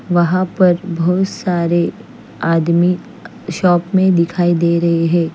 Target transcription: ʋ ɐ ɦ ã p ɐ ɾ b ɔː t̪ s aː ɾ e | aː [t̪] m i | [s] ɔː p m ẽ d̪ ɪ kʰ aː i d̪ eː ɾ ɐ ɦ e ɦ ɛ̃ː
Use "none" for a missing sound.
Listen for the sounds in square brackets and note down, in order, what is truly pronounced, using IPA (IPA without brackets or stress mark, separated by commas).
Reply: d̪, ʃ